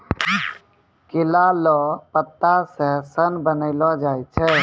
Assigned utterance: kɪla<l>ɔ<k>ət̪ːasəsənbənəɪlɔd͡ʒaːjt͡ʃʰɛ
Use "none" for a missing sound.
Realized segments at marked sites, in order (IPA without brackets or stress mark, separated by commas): l, p